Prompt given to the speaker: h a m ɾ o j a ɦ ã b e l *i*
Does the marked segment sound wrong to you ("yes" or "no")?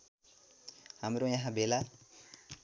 yes